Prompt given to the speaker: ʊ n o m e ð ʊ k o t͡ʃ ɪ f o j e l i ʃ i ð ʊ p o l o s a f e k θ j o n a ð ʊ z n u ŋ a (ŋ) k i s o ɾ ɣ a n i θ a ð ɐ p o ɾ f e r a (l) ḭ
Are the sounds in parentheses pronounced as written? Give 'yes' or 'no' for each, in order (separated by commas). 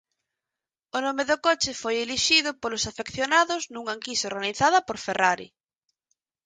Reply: yes, no